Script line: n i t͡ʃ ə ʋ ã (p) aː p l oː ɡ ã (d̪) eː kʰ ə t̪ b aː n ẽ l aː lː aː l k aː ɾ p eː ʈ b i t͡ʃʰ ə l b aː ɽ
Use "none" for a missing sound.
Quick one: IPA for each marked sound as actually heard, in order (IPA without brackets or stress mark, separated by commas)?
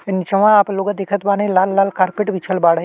none, d̪